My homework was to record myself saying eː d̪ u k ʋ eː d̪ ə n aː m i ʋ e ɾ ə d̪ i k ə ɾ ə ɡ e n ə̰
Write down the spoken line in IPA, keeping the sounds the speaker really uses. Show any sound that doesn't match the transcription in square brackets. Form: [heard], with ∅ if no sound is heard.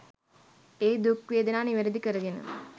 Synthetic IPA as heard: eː d̪ u k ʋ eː d̪ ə n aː [n] i ʋ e ɾ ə d̪ i k ə ɾ ə ɡ e n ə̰